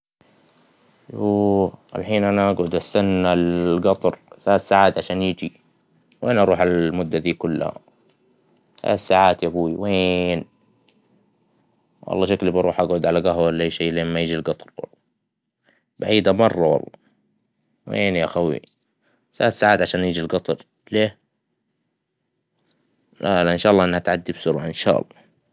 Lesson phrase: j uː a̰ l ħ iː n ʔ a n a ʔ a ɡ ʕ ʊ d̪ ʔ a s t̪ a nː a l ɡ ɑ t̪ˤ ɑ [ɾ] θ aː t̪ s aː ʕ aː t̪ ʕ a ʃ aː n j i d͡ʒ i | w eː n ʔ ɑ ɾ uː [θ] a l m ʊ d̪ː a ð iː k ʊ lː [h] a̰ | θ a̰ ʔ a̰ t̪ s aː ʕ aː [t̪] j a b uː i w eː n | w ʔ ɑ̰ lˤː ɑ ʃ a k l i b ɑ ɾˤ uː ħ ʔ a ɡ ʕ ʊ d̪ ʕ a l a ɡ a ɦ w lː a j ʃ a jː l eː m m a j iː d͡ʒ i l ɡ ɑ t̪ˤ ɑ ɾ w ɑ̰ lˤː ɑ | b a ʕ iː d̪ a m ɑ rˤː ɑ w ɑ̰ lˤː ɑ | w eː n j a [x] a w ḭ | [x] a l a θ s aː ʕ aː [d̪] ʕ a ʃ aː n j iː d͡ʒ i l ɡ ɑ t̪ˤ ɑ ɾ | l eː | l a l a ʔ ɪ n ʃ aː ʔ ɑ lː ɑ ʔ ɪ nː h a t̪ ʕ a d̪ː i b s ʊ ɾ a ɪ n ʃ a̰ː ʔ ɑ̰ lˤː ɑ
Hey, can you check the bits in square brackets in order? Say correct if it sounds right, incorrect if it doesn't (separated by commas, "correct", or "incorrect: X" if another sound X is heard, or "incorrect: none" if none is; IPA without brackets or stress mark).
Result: correct, incorrect: ħ, correct, correct, correct, incorrect: θ, incorrect: t̪